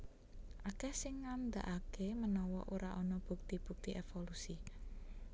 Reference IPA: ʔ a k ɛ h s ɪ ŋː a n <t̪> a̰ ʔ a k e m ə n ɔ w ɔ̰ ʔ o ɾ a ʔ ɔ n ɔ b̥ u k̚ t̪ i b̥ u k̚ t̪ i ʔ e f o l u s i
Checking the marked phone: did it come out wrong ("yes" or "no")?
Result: yes